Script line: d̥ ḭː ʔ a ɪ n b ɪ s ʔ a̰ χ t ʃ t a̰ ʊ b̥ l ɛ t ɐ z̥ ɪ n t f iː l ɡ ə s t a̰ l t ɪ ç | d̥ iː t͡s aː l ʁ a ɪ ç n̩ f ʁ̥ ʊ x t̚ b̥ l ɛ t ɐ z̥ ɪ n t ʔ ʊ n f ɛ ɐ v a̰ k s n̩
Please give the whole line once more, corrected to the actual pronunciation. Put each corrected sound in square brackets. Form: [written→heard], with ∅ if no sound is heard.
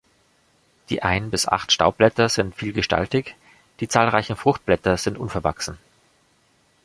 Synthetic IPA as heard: d̥ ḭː ʔ a ɪ n b ɪ s ʔ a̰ χ t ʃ t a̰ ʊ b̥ l ɛ t ɐ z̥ ɪ n t f iː l ɡ ə [s→ʃ] t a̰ l t ɪ ç | d̥ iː t͡s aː l ʁ a ɪ ç n̩ f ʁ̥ ʊ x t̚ b̥ l ɛ t ɐ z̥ ɪ n t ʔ ʊ n f ɛ ɐ v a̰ k s n̩